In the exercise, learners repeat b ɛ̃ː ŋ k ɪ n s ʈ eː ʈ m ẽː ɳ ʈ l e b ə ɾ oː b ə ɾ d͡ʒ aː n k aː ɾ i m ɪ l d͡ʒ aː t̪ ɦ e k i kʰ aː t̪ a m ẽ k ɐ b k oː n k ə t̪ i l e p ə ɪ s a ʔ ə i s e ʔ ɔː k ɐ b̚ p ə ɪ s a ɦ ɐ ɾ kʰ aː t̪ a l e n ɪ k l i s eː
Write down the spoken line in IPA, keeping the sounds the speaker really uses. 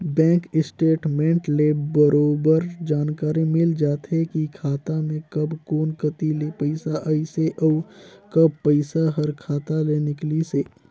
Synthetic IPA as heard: b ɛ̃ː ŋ k ɪ s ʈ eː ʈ m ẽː ɳ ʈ l e b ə ɾ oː b ə ɾ d͡ʒ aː n k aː ɾ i m ɪ l d͡ʒ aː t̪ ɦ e k i kʰ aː t̪ a m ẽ k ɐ b k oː n k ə t̪ i l e p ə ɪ s a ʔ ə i s e ʔ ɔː k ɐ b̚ p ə ɪ s a ɦ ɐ ɾ kʰ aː t̪ a l e n ɪ k l i s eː

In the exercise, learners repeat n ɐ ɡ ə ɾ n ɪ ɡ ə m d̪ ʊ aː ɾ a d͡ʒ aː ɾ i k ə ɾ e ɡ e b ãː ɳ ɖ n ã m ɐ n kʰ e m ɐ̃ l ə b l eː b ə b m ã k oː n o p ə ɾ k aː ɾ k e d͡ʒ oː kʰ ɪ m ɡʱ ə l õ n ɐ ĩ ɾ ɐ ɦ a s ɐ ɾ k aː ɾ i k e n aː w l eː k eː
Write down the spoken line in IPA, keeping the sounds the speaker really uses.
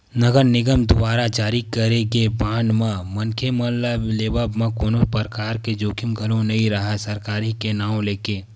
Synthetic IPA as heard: n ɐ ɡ ə ɾ n ɪ ɡ ə m d̪ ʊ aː ɾ a d͡ʒ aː ɾ i k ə ɾ e ɡ e b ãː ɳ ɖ m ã m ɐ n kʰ e m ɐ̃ l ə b l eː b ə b m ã k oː n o p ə ɾ k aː ɾ k e d͡ʒ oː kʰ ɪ m ɡʱ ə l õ n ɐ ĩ ɾ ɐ ɦ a s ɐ ɾ k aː ɾ i k e n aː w l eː k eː

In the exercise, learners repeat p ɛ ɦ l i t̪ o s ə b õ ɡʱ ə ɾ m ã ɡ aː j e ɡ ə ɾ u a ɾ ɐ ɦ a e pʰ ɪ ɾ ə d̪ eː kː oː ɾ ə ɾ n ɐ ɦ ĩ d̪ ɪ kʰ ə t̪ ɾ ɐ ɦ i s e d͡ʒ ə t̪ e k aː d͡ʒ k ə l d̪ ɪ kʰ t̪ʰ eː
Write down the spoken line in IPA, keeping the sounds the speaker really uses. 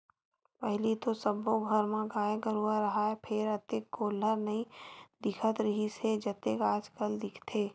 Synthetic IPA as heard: p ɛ ɦ l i t̪ o s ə b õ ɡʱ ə ɾ m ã ɡ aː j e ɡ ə ɾ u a ɾ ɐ ɦ a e pʰ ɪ ɾ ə t̪ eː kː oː l ə ɾ n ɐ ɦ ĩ d̪ ɪ kʰ ə t̪ ɾ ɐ ɦ i s e d͡ʒ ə t̪ e k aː d͡ʒ k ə l d̪ ɪ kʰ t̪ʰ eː

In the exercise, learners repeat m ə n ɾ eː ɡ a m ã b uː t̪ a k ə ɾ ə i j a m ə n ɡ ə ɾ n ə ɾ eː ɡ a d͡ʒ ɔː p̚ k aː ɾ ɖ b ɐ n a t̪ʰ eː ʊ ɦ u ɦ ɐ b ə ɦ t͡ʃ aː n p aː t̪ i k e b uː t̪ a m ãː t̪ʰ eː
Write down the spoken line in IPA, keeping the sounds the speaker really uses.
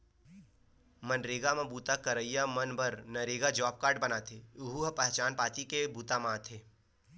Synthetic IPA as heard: m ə n ɾ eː ɡ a m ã b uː t̪ a k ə ɾ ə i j a m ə n b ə ɾ n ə ɾ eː ɡ a d͡ʒ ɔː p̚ k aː ɾ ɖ b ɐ n a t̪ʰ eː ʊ ɦ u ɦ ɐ p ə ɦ t͡ʃ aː n p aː t̪ i k e b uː t̪ a m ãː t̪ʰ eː

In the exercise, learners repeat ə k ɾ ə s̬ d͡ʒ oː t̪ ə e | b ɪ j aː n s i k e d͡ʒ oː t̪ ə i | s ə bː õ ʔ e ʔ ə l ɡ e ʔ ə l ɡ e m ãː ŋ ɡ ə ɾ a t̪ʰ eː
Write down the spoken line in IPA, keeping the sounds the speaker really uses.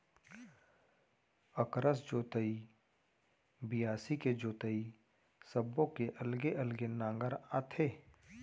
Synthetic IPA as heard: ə k ɾ ə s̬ d͡ʒ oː t̪ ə i | b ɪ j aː s i k e d͡ʒ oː t̪ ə i | s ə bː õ k e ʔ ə l ɡ e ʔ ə l ɡ e n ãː ŋ ɡ ə ɾ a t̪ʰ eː

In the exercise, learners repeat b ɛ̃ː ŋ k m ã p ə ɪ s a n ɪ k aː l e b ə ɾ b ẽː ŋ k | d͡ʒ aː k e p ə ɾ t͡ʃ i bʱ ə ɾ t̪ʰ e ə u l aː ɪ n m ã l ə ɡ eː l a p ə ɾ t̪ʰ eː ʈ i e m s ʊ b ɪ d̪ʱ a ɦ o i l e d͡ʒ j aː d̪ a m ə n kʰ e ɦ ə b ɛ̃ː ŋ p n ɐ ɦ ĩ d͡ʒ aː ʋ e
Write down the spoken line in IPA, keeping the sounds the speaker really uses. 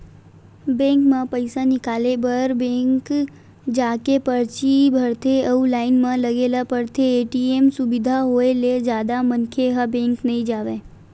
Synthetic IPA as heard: b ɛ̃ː ŋ k m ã p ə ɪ s a n ɪ k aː l e b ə ɾ b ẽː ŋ k | d͡ʒ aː k e p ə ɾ t͡ʃ i bʱ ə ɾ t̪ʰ e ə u l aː ɪ n m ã l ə ɡ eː l a p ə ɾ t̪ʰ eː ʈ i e m s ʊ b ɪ d̪ʱ a ɦ o e l e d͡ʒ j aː d̪ a m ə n kʰ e ɦ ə b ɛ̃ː ŋ k n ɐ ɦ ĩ d͡ʒ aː ʋ e

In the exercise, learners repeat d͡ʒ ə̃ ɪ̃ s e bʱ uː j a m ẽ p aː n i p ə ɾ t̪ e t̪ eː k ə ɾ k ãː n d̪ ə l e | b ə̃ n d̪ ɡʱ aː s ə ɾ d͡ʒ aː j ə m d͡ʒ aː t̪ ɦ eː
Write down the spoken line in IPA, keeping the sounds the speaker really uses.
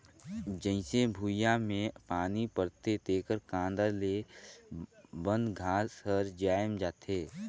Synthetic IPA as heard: d͡ʒ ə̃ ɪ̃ s e bʱ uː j a m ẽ p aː n i p ə ɾ t̪ e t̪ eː k ə ɾ k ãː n d̪ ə l e | b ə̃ n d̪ ɡʱ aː s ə ɾ d͡ʒ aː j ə m d͡ʒ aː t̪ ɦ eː

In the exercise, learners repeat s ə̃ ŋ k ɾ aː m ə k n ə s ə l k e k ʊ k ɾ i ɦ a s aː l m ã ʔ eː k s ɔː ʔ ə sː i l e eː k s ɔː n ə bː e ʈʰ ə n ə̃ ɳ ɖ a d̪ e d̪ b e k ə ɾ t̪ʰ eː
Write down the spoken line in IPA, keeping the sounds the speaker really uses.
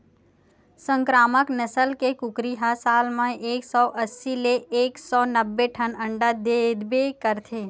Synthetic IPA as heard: s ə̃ ŋ k ɾ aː m ə k n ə s ə l k e k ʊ k ɾ i ɦ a s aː l m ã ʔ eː k s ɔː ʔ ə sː i l e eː k s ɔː n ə bː e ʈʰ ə n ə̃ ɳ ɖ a d̪ e d̪ b e k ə ɾ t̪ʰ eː

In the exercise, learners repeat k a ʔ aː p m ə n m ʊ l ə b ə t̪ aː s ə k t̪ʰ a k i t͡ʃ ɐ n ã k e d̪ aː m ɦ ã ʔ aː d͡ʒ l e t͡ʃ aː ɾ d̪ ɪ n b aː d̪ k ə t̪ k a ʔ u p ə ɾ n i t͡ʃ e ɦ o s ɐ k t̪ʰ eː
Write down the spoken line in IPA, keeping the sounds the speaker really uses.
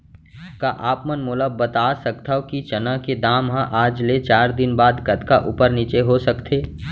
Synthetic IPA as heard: k a ʔ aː p m ə n m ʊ l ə b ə t̪ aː s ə k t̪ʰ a k i t͡ʃ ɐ n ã k e d̪ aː m ɦ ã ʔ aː d͡ʒ l e t͡ʃ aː ɾ d̪ ɪ n b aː d̪ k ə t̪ k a ʔ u p ə ɾ n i t͡ʃ e ɦ o s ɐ k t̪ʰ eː

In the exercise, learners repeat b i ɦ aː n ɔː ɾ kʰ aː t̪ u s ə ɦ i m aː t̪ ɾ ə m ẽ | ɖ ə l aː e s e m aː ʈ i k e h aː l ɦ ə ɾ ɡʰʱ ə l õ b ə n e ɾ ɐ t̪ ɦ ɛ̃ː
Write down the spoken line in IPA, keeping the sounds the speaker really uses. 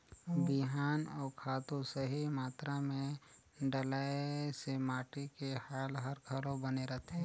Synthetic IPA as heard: b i ɦ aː n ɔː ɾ kʰ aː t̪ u s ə ɦ i m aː t̪ ɾ a m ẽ | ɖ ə l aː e s e m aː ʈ i k e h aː l ɦ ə ɾ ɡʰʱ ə l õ b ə n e ɾ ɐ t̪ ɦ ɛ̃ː

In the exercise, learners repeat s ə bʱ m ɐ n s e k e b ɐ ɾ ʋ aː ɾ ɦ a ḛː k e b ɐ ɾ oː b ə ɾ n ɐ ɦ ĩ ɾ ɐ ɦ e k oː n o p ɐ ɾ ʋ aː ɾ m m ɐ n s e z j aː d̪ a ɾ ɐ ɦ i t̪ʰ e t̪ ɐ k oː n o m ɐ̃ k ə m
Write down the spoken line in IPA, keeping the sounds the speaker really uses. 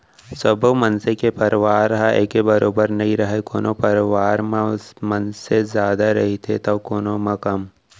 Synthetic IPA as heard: s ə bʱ m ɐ n s e k e p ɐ ɾ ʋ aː ɾ ɦ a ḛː k e b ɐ ɾ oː b ə ɾ n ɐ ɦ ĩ ɾ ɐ ɦ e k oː n o p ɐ ɾ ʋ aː ɾ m m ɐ n s e z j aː d̪ a ɾ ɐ ɦ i t̪ʰ e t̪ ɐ k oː n o m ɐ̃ k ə m

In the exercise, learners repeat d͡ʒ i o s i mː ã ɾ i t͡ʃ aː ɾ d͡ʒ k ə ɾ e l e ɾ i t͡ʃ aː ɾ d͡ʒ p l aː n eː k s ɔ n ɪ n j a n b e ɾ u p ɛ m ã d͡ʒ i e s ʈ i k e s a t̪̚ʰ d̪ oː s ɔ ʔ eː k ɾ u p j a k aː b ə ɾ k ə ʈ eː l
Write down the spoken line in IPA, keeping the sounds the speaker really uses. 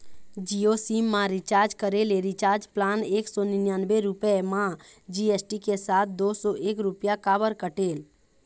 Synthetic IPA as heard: d͡ʒ i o s i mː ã ɾ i t͡ʃ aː ɾ d͡ʒ k ə ɾ e l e ɾ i t͡ʃ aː ɾ d͡ʒ p l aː n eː k s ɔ n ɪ n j a n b e ɾ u p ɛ m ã d͡ʒ i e s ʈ i k e s a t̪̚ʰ d̪ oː s ɔ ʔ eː k ɾ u p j a k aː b ə ɾ k ə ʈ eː l

